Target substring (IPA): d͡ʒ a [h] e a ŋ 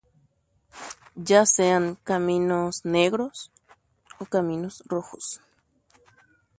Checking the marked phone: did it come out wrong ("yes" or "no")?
yes